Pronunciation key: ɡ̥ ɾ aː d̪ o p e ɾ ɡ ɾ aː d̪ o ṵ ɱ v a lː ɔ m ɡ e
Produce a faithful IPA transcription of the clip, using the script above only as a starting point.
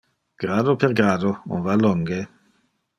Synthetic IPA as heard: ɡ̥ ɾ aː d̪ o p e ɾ ɡ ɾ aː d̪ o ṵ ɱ v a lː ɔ ŋ ɡ e